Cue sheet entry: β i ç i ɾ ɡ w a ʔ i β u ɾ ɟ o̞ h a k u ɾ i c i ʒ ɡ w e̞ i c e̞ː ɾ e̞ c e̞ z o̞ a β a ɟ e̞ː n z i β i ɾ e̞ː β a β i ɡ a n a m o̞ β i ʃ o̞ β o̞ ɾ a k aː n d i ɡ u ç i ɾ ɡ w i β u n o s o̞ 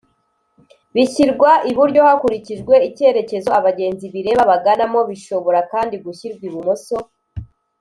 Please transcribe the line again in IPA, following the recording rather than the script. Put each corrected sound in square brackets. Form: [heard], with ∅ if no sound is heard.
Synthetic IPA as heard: β i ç i ɾ ɡ w a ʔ i β u ɾ ɟ o̞ h a k u ɾ i c i ʒ ɡ w e̞ i c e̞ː ɾ e̞ c e̞ z o̞ a β a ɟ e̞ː n z i β i ɾ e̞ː β a β [a] ɡ a n a m o̞ β i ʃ o̞ β o̞ ɾ a k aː n d i ɡ u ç i ɾ ɡ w i β u [m] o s o̞